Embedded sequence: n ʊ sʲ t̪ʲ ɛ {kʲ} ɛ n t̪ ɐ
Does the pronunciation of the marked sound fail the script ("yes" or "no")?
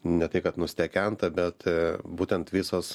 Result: no